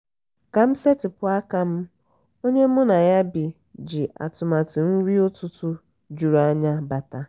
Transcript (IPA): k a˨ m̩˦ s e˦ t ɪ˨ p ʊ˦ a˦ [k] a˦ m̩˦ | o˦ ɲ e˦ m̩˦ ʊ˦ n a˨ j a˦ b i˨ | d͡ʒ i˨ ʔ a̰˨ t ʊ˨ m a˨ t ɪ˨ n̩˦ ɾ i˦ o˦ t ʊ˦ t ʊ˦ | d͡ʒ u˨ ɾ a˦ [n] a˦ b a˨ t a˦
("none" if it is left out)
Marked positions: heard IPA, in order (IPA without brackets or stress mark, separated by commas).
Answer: k, ɲ